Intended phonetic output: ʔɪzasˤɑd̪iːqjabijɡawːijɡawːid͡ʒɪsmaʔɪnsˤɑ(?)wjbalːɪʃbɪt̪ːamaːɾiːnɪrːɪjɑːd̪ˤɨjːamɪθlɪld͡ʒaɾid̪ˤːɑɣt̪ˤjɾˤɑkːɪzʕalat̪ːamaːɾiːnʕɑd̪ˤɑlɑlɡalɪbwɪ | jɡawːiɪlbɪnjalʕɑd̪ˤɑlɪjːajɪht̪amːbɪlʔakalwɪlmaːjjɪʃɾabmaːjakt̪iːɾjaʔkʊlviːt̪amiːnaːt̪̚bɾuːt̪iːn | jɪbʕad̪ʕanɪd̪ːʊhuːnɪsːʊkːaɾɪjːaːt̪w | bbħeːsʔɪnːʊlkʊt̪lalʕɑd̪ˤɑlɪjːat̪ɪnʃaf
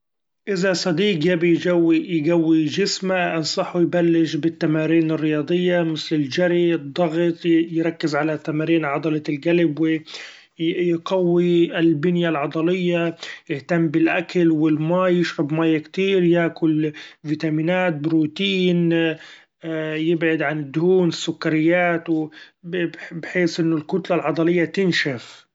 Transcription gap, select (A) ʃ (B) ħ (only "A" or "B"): B